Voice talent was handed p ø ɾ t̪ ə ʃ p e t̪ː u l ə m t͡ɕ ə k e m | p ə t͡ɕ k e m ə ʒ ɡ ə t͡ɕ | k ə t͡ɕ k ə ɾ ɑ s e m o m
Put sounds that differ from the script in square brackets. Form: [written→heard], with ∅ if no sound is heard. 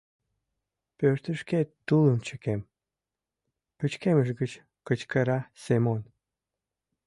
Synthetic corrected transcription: p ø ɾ t̪ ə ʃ [p→k] e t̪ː u l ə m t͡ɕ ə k e m | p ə t͡ɕ k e m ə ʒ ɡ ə t͡ɕ | k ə t͡ɕ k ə ɾ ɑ s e m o [m→n]